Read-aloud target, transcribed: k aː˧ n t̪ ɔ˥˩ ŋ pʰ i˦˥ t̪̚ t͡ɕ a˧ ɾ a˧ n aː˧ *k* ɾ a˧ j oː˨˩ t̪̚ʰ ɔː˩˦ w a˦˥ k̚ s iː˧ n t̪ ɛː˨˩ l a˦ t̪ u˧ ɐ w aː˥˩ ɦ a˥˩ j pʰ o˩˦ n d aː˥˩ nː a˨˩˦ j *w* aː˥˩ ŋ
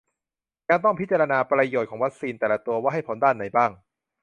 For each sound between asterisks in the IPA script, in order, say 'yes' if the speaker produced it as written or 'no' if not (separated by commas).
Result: no, no